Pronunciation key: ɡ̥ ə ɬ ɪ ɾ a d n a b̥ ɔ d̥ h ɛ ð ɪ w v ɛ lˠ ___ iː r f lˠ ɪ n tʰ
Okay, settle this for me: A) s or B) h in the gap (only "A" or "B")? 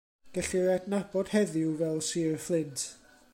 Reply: A